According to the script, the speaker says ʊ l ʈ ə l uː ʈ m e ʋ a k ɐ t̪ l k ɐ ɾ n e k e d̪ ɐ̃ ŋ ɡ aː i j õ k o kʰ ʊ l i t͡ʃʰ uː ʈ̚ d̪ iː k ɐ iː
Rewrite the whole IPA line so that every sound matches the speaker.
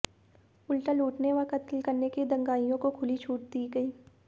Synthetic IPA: ʊ l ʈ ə l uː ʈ n e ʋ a k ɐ t̪ l k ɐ ɾ n e k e d̪ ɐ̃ ŋ ɡ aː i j õ k o kʰ ʊ l i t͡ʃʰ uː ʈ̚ d̪ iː ɡ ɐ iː